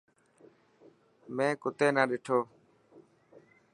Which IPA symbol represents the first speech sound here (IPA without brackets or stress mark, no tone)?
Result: m